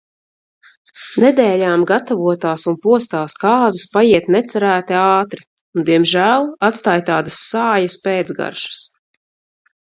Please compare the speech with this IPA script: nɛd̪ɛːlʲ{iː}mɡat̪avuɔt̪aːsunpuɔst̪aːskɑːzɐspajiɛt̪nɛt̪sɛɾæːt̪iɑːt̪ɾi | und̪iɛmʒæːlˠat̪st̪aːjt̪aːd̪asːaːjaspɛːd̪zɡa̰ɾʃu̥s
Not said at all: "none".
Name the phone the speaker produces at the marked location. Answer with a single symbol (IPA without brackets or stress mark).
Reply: aː